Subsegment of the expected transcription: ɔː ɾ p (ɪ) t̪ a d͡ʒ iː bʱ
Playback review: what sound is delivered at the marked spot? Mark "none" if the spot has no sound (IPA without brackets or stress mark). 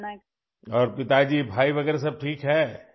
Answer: ɪ